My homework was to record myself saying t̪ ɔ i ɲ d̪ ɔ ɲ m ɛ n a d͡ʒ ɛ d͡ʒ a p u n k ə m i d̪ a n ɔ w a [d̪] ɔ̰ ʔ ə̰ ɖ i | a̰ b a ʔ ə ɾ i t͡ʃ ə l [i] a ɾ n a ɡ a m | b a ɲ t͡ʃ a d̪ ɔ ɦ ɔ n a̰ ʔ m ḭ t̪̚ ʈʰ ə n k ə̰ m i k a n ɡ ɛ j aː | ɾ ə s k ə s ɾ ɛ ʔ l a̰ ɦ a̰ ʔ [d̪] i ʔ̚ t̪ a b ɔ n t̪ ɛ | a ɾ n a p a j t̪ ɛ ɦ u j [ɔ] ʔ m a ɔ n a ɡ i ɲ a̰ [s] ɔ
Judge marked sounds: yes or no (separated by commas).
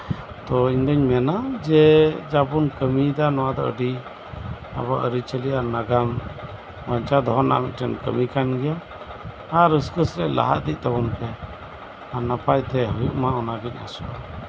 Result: yes, yes, yes, no, yes